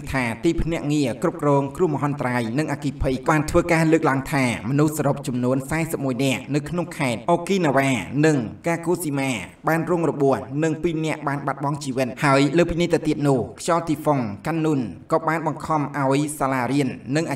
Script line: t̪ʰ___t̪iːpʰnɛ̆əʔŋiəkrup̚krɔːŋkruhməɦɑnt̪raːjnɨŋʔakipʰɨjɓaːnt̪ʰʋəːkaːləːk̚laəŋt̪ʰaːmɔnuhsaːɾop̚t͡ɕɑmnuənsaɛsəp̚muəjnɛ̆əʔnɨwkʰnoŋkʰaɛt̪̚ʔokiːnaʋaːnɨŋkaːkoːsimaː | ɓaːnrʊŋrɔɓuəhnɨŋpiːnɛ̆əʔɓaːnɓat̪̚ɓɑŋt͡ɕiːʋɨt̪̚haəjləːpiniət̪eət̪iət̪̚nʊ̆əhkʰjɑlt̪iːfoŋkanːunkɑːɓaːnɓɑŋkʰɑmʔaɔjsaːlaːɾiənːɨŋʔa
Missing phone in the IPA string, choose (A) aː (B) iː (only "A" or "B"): A